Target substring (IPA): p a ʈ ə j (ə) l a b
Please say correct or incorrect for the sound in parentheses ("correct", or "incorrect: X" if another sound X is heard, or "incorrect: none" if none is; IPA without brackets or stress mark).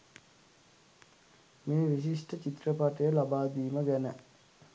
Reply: correct